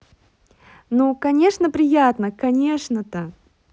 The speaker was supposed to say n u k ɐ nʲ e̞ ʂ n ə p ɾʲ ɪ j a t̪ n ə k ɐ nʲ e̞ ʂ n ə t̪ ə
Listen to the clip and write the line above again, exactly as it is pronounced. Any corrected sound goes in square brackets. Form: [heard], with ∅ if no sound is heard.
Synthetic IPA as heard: n u k ɐ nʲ e̞ ʂ n ə p ɾʲ ɪ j a t̪ n ə k ɐ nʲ e̞ ʂ n ə t̪ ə